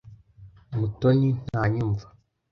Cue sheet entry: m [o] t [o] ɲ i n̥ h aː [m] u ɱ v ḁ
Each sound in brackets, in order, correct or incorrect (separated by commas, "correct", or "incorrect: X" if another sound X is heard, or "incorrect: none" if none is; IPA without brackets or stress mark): incorrect: u, correct, incorrect: ɲ